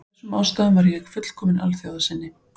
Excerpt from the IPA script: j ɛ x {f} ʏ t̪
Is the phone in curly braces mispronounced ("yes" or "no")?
no